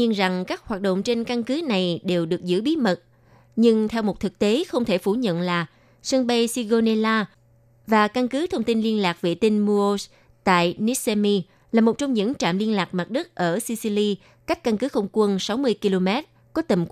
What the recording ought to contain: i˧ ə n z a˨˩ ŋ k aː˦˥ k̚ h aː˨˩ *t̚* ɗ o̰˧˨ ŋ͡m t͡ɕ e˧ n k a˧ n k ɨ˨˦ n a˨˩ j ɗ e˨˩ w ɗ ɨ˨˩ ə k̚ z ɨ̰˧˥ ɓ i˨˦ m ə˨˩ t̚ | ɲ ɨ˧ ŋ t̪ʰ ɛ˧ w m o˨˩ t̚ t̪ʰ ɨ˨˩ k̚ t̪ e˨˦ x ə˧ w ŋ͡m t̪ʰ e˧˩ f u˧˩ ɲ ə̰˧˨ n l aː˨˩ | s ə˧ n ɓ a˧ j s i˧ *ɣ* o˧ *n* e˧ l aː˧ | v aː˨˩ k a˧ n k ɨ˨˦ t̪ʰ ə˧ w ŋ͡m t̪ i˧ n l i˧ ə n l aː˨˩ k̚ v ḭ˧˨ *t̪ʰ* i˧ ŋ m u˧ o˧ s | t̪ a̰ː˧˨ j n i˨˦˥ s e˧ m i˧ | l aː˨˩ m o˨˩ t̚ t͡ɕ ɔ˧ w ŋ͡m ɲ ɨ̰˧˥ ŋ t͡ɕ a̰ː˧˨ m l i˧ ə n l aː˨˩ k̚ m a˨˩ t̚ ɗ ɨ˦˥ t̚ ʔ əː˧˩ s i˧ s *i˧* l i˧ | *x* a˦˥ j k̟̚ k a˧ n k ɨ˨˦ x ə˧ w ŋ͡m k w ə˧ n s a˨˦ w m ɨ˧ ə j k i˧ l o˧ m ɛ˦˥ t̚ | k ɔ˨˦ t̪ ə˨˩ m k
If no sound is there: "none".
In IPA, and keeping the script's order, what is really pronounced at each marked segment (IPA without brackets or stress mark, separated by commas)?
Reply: t̚, ɣ, n, t̪, i˧, k